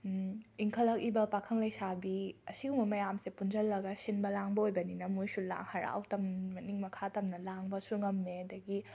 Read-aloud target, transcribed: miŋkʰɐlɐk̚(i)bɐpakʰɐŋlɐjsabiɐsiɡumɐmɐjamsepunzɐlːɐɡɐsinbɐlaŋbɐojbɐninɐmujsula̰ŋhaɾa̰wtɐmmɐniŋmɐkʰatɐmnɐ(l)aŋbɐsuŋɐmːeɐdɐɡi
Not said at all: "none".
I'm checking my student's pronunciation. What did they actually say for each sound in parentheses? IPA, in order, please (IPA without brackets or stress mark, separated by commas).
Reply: i, l